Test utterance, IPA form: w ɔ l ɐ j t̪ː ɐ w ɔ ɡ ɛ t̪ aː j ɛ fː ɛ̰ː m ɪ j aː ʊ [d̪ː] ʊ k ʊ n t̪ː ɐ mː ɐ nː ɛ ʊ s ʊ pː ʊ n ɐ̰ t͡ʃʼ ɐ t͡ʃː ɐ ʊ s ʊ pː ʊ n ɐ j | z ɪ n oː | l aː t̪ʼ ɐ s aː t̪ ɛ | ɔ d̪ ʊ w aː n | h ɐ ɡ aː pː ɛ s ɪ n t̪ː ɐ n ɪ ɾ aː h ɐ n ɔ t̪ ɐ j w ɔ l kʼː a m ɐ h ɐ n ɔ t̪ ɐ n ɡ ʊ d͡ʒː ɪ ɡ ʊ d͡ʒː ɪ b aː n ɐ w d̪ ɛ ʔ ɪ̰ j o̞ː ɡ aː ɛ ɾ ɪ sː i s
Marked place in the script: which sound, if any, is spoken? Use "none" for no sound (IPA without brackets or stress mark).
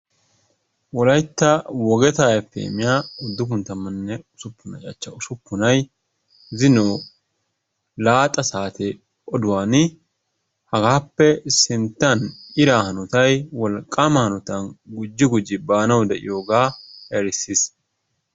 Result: d̪ː